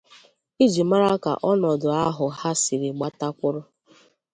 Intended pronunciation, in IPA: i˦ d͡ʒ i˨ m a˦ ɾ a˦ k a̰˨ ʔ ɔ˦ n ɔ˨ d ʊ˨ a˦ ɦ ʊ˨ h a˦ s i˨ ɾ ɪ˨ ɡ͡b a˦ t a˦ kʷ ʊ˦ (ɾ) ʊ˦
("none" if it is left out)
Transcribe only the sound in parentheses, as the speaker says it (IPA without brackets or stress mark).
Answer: ɾ